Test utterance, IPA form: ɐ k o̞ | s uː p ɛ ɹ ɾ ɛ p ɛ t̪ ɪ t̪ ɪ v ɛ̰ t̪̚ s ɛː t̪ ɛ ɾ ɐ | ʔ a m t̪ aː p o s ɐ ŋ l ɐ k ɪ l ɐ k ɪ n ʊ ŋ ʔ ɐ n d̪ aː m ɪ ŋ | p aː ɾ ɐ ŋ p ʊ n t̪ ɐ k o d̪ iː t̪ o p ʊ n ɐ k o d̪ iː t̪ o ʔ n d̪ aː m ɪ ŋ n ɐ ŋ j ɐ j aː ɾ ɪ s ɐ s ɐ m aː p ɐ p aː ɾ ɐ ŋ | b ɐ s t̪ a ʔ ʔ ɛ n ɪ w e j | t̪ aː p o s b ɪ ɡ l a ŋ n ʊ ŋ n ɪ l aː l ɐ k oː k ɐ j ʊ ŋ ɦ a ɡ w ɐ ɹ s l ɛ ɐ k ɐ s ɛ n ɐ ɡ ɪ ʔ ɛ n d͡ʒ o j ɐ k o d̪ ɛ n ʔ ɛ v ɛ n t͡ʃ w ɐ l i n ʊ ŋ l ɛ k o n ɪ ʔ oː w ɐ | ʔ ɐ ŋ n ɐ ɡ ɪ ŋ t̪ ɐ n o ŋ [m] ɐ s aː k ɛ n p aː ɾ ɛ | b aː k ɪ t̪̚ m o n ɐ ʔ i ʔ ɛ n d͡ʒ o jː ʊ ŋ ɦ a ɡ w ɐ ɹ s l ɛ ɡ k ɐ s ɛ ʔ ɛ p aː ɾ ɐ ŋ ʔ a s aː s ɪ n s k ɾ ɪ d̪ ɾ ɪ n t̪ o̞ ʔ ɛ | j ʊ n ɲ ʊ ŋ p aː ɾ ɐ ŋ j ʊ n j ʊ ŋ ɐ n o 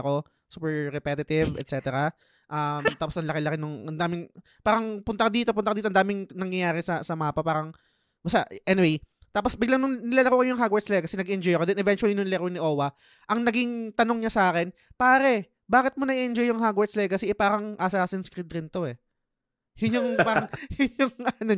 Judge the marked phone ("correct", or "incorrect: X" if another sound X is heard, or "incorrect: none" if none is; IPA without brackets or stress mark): incorrect: ɲ